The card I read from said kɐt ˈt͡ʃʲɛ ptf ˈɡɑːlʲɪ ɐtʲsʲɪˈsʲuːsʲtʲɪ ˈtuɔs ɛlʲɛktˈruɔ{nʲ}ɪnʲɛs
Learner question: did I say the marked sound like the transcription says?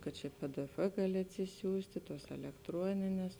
yes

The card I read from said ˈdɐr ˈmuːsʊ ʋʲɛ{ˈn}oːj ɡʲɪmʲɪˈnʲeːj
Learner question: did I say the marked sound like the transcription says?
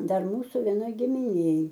yes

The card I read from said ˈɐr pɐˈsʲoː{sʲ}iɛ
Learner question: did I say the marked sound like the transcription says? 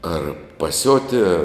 no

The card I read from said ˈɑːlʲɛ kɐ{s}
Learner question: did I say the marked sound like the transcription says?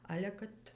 no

